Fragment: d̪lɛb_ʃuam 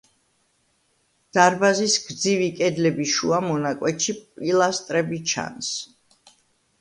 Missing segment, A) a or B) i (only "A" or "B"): B